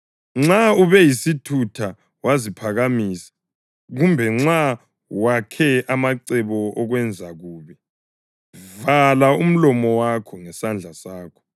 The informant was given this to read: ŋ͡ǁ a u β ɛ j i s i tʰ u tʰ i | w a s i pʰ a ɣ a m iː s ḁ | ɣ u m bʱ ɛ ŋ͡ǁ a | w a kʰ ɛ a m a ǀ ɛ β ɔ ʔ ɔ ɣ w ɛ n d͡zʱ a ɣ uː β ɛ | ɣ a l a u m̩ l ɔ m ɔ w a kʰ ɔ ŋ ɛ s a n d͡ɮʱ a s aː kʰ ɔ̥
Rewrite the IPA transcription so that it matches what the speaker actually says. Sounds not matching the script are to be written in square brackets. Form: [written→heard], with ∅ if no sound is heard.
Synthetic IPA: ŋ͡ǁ a u β ɛ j i s i tʰ u tʰ [i→a] | w a [s→z] i pʰ a ɣ a m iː s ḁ | ɣ u m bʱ ɛ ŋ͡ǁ a | w a kʰ ɛ a m a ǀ ɛ β ɔ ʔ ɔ ɣ w ɛ n d͡zʱ a ɣ uː β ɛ | [ɣ→v] a l a u m̩ l ɔ m ɔ w a kʰ ɔ ŋ ɛ s a n d͡ɮʱ a s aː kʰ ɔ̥